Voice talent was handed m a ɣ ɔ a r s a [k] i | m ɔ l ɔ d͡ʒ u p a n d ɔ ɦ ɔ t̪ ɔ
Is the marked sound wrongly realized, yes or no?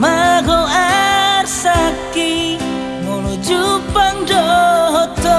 no